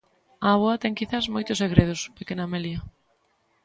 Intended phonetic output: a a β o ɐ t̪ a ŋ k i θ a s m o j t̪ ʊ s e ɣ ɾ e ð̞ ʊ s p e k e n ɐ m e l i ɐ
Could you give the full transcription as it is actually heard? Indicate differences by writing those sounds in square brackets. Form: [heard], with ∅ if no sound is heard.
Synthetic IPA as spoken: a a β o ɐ t̪ [ɛ] ŋ k i θ a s m o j t̪ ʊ s e ɣ ɾ e ð̞ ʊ s p e k e n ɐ m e l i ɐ